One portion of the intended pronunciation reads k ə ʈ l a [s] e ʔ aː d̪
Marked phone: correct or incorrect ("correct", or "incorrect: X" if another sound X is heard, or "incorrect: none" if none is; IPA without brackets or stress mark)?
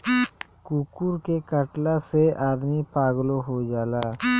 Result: correct